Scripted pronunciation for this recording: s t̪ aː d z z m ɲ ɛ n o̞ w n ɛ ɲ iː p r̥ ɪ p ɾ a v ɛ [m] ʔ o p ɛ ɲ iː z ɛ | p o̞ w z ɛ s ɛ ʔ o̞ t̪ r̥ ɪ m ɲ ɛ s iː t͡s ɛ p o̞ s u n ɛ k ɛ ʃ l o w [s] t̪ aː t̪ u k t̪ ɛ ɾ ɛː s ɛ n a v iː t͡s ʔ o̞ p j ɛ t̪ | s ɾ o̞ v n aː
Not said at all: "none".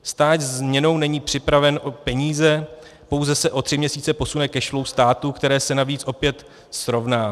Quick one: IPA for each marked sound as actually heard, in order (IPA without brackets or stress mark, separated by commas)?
n, s